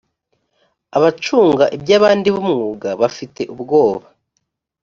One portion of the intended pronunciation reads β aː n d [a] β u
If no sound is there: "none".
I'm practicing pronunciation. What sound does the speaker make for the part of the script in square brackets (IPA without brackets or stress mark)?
i